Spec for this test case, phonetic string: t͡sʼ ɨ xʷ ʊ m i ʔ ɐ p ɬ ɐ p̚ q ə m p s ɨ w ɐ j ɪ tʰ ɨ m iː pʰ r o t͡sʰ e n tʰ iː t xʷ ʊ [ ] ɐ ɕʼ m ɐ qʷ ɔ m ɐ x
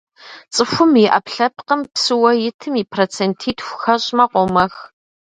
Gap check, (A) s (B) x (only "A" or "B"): B